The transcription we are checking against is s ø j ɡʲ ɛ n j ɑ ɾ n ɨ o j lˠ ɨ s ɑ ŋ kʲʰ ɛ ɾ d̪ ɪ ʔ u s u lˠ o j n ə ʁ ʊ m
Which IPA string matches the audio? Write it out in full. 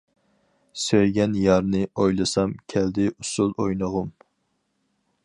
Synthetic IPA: s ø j ɡʲ ɛ n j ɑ ɾ n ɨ o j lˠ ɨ s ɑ m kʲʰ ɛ l d̪ ɪ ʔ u s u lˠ o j n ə ʁ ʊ m